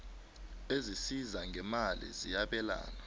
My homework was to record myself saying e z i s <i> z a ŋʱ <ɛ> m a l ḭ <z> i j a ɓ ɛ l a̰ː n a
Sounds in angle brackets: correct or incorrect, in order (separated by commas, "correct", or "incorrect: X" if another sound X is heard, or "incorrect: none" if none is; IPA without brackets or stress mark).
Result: correct, correct, correct